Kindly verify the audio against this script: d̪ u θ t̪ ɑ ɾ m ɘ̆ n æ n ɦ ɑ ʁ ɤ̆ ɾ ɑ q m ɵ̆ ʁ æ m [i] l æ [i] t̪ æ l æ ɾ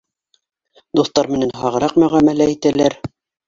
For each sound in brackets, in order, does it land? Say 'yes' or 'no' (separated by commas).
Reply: no, yes